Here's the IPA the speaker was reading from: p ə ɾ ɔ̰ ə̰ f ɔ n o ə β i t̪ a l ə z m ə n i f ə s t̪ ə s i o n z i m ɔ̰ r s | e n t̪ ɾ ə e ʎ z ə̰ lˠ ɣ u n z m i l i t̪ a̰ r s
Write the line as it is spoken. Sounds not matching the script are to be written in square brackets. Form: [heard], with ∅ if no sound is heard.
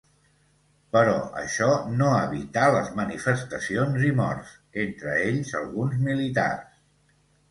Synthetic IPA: p ə ɾ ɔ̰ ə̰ [ʃ] ɔ n o ə β i t̪ a l ə z m ə n i f ə s t̪ ə s i o n z i m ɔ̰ r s | e n t̪ ɾ ə e ʎ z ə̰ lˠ ɣ u n z m i l i t̪ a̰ r s

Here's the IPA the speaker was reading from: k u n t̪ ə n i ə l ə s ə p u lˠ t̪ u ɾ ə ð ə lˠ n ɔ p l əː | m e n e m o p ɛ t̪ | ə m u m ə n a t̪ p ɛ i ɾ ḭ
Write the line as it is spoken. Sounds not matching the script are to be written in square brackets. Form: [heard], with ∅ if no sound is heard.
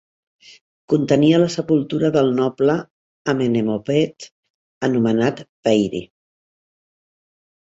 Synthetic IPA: k u n t̪ ə n i ə l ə s ə p u lˠ t̪ u ɾ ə ð ə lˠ n ɔ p l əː | m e n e m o p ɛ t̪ | ə [n] u m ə n a t̪ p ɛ [j] ɾ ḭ

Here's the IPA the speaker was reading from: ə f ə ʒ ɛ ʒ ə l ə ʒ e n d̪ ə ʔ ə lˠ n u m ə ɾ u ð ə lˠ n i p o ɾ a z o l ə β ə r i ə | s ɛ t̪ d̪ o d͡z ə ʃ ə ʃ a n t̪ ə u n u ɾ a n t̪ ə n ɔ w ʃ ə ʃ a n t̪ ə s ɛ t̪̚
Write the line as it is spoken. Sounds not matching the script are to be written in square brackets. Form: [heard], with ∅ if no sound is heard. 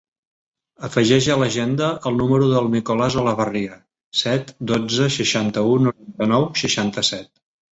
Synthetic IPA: ə f ə ʒ ɛ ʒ ə l ə ʒ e n d̪ ə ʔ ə lˠ n u m ə ɾ u ð ə lˠ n i [k] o [l] a z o l ə β ə r i ə | s ɛ t̪ d̪ o d͡z ə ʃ ə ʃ a n t̪ ə u n u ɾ a n t̪ ə n ɔ w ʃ ə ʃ a n t̪ ə s ɛ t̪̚

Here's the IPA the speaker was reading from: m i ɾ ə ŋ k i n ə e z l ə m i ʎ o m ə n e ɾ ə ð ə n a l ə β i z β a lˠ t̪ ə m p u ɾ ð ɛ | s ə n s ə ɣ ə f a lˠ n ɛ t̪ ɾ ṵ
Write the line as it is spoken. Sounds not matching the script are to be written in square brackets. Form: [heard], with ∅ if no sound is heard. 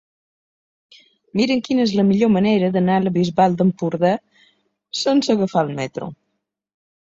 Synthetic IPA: m i ɾ ə ŋ k i n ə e z l ə m i ʎ o m ə n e ɾ ə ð ə n a l ə β i z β a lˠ [d̪] ə m p u ɾ ð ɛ | s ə n s ə ɣ ə f a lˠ [m] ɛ t̪ ɾ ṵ

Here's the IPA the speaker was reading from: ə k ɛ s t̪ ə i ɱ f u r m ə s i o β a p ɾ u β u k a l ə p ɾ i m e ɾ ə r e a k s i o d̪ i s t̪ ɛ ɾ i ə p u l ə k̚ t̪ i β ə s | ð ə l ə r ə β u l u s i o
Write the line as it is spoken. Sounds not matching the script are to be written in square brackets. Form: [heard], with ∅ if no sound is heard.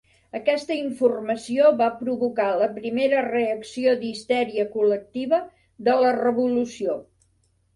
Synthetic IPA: ə k ɛ s t̪ ə i ɱ f u r m ə s i o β a p ɾ u β u k a l ə p ɾ i m e ɾ ə r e [ə] k s i o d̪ i s t̪ ɛ ɾ i ə [k] u l ə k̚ t̪ i β ə [∅] | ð ə l ə r ə β u l u s i o

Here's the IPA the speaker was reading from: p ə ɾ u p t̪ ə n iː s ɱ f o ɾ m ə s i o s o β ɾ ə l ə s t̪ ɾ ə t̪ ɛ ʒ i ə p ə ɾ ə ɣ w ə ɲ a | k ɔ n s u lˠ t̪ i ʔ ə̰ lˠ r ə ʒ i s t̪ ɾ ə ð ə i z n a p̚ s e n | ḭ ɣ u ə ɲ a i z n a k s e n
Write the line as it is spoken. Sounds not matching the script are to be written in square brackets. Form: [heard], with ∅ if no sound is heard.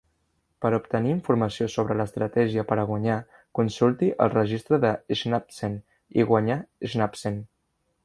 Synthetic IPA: p ə ɾ u p t̪ ə n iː [∅] ɱ f [u] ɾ m ə s i o s o β ɾ ə l ə s t̪ ɾ ə t̪ ɛ ʒ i ə p ə ɾ ə ɣ w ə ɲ a | k [u] n s u lˠ t̪ i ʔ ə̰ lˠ r ə ʒ i s t̪ ɾ ə ð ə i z n a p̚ s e n | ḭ ɣ [w] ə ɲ a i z n a [p] s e n

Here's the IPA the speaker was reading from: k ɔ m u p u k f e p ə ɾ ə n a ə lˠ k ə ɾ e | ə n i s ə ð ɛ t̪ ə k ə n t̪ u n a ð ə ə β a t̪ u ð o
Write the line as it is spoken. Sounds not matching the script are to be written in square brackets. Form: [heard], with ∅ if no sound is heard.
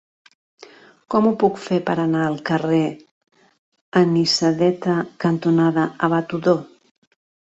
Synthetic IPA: k ɔ m u p u k f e p ə ɾ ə n a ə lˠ k ə [r] e | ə n i s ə ð ɛ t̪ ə k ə n t̪ u n a ð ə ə β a t̪ u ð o

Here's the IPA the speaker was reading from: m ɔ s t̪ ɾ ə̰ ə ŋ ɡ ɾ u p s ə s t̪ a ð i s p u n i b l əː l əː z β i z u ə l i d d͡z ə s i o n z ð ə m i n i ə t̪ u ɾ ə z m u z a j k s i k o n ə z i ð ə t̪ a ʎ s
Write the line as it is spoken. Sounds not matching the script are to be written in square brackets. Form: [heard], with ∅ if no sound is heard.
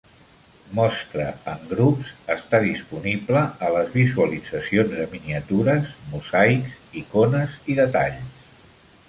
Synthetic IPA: m ɔ s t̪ ɾ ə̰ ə ŋ ɡ ɾ u p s ə s t̪ a ð i s p u n i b l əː l [ə] z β i z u ə l i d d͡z ə s i o n z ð ə m i n i ə t̪ u ɾ ə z m u z a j k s i k o n ə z i ð ə t̪ a ʎ s

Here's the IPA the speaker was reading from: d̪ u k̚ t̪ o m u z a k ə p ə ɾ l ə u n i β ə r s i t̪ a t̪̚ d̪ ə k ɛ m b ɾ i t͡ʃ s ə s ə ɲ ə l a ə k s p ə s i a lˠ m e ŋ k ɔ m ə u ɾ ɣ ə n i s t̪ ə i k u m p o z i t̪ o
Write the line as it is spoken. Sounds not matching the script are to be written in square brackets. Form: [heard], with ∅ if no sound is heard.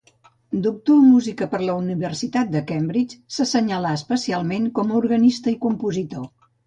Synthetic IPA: d̪ u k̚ t̪ o m u z [i] k ə p ə ɾ l ə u n i β ə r s i t̪ a t̪̚ d̪ ə k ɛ m b ɾ i t͡ʃ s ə s ə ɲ ə l a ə [∅] s p ə s i a lˠ m e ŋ k ɔ m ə u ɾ ɣ ə n i s t̪ ə i k u m p [u] z i t̪ o

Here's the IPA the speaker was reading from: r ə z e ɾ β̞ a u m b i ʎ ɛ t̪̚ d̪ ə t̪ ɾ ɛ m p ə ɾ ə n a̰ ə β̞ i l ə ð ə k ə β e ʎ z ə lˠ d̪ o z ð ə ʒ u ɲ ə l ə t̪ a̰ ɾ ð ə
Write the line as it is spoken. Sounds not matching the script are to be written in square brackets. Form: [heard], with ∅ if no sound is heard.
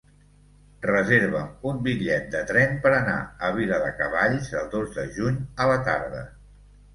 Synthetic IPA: r ə z e ɾ β̞ [ə] u m b i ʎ ɛ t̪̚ d̪ ə t̪ ɾ ɛ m p ə ɾ ə n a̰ ə β̞ i l ə ð ə k ə β [a] ʎ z ə lˠ d̪ o z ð ə ʒ u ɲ ə l ə t̪ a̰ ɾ ð ə

